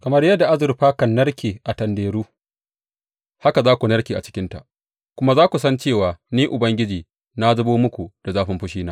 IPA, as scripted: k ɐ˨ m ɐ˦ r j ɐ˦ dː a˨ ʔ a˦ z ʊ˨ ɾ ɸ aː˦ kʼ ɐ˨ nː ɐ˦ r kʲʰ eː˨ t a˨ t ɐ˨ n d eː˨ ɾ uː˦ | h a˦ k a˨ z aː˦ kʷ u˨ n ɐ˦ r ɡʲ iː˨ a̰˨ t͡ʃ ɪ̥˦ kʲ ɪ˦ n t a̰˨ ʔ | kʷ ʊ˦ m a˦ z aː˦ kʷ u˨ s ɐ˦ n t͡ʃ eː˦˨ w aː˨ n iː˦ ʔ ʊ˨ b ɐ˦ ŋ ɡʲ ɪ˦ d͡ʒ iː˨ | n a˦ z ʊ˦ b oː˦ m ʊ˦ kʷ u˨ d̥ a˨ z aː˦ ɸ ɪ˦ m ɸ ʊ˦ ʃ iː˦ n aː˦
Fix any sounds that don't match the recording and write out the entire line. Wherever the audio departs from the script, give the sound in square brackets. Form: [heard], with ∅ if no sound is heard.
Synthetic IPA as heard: k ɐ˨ m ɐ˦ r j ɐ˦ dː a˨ ʔ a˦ z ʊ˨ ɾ ɸ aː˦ [k] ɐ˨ nː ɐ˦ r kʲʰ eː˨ [ʔ] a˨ t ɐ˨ n d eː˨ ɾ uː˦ | h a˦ k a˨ z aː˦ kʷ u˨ n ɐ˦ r [kʲ] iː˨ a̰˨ t͡ʃ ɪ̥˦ kʲ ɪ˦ n t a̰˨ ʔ | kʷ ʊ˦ m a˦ z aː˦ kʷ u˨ s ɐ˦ n t͡ʃ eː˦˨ w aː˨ n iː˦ ʔ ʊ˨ b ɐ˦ ŋ ɡʲ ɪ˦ d͡ʒ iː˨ | n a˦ z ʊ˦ b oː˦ m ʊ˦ kʷ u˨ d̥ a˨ z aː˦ ɸ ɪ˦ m ɸ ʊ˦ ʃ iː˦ n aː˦